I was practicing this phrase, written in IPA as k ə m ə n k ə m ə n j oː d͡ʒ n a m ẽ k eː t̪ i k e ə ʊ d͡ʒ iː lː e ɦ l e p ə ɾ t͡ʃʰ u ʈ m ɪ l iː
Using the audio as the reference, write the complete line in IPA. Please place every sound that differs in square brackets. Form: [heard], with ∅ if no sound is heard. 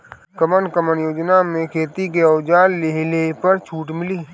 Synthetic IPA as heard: k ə m ə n k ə m ə n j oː d͡ʒ n a m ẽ [kʰ] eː t̪ i k e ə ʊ d͡ʒ [aː] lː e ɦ l e p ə ɾ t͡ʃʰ [uː] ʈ m ɪ l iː